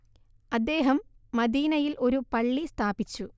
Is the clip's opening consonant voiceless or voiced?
voiced